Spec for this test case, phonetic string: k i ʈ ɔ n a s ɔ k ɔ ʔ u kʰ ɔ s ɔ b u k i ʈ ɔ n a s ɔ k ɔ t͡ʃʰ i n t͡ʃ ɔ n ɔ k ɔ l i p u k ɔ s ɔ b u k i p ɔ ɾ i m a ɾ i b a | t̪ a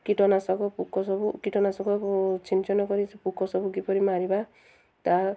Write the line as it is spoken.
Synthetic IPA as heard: k i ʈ ɔ n a s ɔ k ɔ p u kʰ ɔ s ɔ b u k i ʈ ɔ n a s ɔ k ɔ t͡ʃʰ i n t͡ʃ ɔ n ɔ k ɔ ɾ i p u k ɔ s ɔ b u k i p ɔ ɾ i m a ɾ i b a | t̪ a